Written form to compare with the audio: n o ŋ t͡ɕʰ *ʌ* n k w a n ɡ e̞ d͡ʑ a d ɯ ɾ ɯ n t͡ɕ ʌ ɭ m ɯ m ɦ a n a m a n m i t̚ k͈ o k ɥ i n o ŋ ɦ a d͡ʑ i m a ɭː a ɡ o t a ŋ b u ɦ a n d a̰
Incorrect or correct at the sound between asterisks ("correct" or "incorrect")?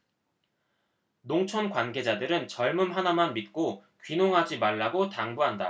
correct